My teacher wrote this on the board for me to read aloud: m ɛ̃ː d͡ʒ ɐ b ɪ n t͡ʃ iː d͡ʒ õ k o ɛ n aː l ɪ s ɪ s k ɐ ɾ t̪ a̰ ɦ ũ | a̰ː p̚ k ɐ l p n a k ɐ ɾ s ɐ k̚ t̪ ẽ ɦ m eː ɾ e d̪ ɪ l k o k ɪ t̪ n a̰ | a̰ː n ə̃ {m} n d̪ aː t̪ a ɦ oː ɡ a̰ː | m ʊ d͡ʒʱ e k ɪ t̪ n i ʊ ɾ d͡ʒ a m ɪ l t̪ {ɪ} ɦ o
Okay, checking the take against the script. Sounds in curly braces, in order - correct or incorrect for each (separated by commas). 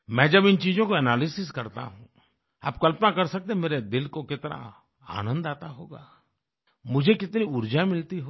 incorrect, incorrect